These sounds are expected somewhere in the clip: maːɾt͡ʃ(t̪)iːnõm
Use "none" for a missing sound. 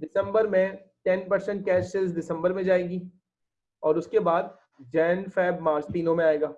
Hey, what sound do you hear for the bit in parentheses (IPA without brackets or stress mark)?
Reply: t̪